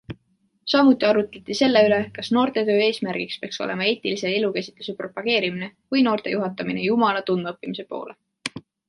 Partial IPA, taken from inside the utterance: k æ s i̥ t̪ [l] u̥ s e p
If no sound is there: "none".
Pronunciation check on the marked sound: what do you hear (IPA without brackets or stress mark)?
l